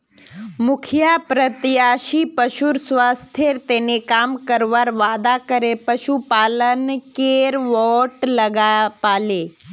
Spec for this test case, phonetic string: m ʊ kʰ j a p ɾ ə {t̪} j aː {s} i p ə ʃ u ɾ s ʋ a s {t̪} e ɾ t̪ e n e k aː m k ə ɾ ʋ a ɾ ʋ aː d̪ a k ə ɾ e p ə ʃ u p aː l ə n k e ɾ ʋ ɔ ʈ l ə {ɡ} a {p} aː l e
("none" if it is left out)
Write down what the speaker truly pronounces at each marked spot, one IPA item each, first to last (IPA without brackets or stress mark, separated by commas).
t̪, ʃ, t̪ʰ, ɡ, p